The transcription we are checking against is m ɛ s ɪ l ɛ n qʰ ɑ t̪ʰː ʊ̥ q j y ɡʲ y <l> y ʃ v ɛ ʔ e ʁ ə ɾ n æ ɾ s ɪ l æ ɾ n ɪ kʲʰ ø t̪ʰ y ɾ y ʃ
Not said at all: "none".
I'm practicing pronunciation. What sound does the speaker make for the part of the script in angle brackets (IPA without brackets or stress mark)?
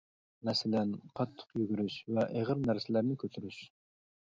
ɾ